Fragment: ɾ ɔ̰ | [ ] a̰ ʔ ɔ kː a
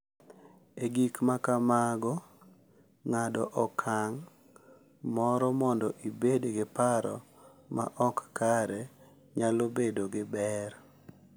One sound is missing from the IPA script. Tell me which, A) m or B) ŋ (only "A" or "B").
A